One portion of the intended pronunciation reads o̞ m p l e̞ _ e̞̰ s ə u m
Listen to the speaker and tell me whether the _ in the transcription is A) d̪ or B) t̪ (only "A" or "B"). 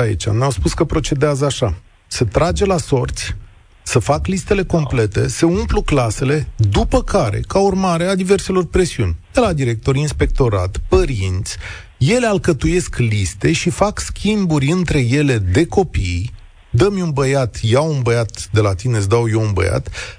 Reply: B